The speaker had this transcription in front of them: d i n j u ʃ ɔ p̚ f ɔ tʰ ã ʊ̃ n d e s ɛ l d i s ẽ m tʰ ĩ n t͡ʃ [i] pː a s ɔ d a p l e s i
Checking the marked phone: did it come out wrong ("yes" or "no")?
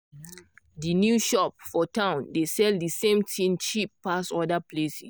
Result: no